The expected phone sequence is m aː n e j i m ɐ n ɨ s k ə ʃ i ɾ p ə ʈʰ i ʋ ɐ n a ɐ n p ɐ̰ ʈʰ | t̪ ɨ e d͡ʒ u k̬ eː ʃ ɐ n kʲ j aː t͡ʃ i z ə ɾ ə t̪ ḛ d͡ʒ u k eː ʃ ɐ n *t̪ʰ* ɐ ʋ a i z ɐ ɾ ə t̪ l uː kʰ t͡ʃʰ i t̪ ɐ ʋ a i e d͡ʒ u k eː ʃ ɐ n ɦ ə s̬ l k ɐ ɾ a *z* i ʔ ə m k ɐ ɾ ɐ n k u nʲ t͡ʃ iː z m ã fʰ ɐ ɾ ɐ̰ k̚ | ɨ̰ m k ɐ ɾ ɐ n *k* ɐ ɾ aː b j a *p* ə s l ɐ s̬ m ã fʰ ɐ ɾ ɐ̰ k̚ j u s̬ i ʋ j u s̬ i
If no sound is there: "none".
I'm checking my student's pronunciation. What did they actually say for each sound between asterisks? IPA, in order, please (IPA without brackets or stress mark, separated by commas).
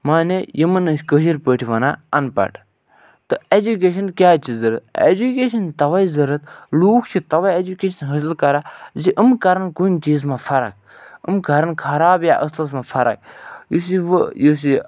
t̪, z, kʰ, ʔ